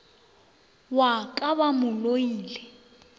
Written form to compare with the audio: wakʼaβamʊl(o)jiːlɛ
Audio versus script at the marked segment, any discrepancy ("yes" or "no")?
no